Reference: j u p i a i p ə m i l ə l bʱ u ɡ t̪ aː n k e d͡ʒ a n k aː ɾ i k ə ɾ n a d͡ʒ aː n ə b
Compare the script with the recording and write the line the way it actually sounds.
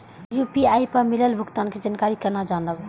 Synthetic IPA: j u p i a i p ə m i l ə l bʱ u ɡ t̪ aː n k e d͡ʒ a n k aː ɾ i k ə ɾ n a d͡ʒ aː n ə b